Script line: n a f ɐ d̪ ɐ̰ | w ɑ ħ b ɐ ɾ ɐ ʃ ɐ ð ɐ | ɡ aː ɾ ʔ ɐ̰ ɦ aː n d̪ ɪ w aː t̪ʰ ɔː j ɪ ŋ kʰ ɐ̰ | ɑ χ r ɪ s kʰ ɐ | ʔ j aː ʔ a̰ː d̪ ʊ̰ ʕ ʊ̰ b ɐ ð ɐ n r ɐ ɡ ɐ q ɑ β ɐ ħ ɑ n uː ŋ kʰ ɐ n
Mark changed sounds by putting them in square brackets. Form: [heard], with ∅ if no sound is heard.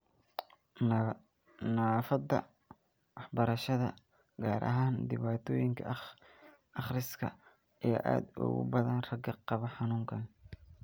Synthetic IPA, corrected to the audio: n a f ɐ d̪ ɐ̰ | w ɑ ħ b ɐ ɾ ɐ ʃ ɐ ð ɐ | ɡ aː ɾ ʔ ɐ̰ ɦ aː n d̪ ɪ [β] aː t̪ʰ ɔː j ɪ ŋ kʰ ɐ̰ | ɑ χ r ɪ s kʰ ɐ | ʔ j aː ʔ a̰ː d̪ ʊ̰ [ɣ] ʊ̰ b ɐ ð ɐ n r ɐ ɡ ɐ q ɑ β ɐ ħ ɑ n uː ŋ kʰ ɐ n